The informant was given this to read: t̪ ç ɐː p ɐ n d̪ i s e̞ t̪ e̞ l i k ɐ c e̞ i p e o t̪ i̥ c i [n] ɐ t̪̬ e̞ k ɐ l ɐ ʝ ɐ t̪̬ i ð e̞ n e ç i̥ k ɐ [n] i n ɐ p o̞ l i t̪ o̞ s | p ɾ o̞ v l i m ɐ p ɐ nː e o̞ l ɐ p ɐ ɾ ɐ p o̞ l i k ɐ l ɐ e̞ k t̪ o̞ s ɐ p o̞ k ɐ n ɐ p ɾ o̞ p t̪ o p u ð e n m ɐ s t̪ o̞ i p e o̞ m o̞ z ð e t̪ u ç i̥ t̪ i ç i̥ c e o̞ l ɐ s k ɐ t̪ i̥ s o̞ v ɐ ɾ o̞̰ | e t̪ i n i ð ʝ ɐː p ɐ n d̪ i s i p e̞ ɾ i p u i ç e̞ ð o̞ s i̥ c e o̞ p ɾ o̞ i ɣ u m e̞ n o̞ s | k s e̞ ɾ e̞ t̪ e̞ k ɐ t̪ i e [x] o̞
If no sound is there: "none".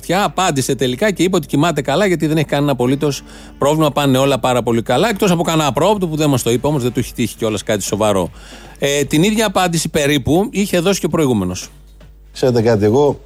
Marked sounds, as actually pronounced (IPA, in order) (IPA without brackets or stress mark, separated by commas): m, n, ɣ